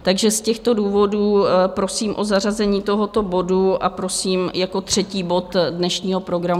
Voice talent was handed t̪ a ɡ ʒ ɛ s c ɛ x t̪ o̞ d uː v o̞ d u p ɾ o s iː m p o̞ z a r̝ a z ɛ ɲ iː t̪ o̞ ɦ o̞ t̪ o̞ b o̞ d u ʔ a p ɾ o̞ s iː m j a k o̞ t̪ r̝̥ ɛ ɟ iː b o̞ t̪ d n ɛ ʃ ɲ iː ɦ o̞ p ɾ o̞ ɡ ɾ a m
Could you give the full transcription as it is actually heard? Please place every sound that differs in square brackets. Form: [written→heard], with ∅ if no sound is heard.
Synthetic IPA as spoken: t̪ a ɡ ʒ ɛ s c ɛ x t̪ o̞ d uː v o̞ d [u→uː] p ɾ o s iː m [p→ʔ] o̞ z a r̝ a z ɛ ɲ iː t̪ o̞ ɦ o̞ t̪ o̞ b o̞ d u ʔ a p ɾ o̞ s iː m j a k o̞ t̪ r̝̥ ɛ [ɟ→c] iː b o̞ t̪ d n ɛ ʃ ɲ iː ɦ o̞ p ɾ o̞ ɡ ɾ a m